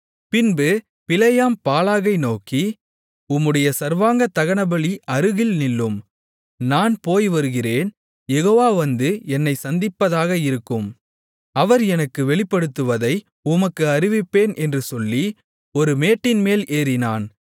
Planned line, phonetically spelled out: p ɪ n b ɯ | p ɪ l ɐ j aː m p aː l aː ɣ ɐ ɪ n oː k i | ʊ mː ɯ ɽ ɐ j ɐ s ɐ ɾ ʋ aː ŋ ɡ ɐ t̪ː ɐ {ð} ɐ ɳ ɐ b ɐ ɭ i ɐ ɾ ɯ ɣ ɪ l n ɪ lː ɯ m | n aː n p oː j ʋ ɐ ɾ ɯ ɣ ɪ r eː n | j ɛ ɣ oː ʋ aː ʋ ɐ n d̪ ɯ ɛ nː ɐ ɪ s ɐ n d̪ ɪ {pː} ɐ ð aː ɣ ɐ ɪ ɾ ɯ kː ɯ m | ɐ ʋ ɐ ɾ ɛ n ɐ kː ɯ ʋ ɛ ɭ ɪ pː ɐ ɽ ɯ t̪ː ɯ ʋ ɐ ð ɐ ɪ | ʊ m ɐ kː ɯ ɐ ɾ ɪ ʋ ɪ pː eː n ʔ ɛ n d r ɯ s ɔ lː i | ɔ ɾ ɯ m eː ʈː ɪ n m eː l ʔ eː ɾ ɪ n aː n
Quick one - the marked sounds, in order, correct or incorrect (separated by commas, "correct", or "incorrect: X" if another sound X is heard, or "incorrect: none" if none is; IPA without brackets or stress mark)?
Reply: incorrect: ɣ, correct